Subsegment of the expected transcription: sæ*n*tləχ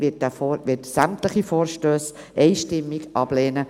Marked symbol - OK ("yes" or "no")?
no